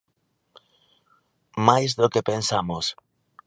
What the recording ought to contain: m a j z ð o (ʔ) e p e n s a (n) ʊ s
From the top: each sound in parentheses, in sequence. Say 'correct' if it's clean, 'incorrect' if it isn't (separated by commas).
incorrect, incorrect